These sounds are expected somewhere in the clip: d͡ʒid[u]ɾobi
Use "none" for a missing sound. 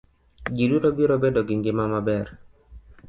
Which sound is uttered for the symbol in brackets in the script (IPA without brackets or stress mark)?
u